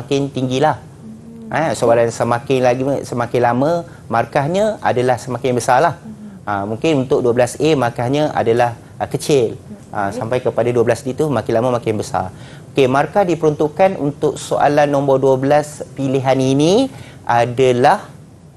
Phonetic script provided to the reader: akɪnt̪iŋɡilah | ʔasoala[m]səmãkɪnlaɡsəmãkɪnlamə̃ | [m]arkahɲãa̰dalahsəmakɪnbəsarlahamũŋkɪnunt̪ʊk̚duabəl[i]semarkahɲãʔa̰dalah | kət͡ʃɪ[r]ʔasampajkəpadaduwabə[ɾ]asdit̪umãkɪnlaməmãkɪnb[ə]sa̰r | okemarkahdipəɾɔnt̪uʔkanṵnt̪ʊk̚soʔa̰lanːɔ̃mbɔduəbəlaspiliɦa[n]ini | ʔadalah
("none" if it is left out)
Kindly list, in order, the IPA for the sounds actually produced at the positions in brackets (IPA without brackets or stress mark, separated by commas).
n, m, a, l, l, ə, n